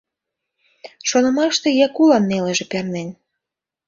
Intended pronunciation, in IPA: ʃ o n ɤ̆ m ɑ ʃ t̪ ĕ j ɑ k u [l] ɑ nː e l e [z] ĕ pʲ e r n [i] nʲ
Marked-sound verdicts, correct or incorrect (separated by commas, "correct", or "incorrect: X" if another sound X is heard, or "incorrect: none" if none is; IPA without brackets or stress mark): correct, incorrect: ʒ, incorrect: e